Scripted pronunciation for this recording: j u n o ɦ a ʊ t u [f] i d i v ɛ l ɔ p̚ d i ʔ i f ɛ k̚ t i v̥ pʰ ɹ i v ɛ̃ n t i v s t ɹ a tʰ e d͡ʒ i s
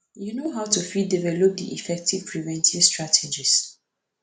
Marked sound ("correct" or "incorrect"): correct